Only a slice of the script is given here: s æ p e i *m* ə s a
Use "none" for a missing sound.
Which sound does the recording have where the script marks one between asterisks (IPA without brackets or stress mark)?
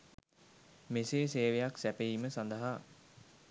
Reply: m